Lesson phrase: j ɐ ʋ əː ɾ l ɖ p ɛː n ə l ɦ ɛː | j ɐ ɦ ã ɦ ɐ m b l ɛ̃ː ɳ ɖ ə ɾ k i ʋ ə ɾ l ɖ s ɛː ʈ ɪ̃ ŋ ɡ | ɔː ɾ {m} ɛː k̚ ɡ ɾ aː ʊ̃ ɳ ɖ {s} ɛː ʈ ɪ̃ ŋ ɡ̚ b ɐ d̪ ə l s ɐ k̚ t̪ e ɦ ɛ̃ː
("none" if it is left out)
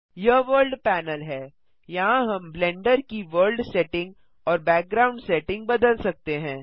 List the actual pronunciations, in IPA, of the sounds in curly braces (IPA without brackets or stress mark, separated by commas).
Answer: b, s